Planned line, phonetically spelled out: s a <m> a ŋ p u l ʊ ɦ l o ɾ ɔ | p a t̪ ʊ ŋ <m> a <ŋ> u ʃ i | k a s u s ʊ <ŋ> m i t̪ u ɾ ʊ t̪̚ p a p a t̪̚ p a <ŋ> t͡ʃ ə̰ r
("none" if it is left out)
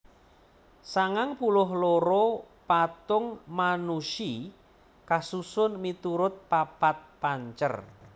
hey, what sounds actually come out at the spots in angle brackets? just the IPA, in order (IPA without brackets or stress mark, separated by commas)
ŋ, m, n, n, ɲ